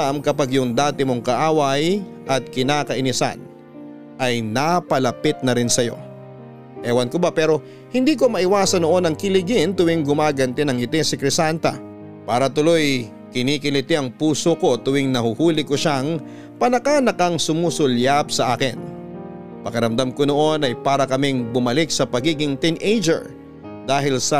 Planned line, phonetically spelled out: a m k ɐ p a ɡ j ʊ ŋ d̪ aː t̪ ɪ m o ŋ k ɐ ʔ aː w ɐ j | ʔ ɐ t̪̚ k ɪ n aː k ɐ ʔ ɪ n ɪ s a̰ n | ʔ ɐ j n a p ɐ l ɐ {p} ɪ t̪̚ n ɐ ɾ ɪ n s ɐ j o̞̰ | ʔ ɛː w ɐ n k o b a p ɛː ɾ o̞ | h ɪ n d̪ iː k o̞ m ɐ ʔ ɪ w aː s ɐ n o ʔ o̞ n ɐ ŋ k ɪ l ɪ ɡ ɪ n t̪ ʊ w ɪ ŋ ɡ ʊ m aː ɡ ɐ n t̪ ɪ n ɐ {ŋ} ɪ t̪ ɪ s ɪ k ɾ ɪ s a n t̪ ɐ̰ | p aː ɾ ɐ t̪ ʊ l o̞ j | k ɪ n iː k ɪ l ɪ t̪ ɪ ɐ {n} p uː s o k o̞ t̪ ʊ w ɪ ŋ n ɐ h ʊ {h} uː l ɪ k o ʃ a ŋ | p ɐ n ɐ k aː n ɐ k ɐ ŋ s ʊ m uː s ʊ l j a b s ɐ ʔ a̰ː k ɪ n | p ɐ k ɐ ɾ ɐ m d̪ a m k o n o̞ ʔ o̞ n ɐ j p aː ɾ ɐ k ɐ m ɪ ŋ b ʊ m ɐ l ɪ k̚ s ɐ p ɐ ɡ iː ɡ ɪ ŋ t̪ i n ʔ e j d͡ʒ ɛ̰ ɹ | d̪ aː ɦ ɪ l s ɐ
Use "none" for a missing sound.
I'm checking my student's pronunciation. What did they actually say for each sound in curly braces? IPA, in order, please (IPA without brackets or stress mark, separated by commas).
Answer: p, ŋ, ŋ, h